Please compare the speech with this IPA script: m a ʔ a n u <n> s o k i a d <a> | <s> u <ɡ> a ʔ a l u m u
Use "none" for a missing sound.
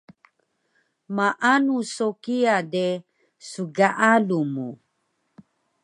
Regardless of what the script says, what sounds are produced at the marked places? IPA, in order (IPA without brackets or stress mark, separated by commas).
none, e, s, ɡ